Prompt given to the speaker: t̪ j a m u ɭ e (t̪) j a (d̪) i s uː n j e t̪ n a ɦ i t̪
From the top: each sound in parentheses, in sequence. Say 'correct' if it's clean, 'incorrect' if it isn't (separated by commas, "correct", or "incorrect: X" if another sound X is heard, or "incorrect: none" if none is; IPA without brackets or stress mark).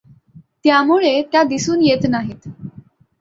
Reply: correct, correct